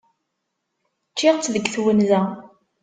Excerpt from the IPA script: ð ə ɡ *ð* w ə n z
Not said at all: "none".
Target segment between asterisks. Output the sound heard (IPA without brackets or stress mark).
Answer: θ